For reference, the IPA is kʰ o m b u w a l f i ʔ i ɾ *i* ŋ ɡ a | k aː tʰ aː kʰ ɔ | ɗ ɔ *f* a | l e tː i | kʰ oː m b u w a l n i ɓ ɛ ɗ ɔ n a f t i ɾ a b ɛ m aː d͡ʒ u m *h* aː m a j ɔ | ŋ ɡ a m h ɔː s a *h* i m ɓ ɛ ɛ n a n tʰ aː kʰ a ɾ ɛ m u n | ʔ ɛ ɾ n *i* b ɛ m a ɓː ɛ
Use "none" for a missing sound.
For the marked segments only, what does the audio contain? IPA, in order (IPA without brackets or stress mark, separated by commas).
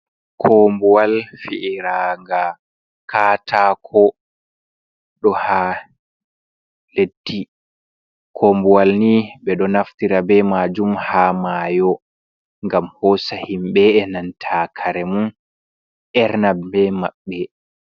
a, h, h, h, a